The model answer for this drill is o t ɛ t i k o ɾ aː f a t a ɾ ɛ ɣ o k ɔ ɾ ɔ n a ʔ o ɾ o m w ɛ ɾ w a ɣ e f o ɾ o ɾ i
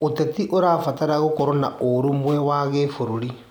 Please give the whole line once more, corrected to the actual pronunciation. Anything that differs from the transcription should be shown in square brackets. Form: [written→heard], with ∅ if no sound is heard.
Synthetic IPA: o t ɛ t i [k→ʔ] o ɾ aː f a t a ɾ [ɛ→a] ɣ o k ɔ ɾ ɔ n a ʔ o ɾ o m w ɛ [ɾ→∅] w a ɣ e f o ɾ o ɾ i